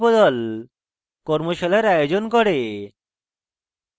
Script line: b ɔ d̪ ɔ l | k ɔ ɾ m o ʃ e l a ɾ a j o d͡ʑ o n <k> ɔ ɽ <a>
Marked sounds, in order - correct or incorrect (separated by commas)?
correct, incorrect